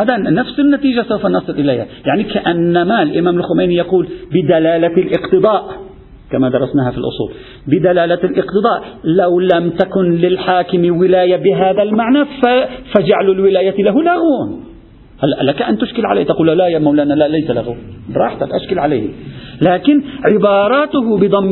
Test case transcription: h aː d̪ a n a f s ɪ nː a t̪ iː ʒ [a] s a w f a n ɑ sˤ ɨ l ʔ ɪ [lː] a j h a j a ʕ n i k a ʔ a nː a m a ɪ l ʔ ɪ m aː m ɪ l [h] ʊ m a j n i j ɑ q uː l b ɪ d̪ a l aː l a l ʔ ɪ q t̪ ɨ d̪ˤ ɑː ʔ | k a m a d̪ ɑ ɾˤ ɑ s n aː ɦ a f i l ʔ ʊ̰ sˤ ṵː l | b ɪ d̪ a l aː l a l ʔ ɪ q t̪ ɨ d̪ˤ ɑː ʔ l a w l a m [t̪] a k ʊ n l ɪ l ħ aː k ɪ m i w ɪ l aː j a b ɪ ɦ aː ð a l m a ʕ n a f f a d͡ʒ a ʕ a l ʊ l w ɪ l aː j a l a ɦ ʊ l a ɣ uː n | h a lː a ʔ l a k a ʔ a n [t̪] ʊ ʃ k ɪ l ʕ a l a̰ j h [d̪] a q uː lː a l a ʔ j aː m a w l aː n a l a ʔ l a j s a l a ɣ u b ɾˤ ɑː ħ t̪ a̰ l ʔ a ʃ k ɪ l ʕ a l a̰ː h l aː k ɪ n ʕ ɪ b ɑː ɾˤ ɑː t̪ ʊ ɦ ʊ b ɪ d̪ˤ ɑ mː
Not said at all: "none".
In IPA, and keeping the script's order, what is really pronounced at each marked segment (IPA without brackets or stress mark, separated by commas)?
a, l, x, t̪, t̪, t̪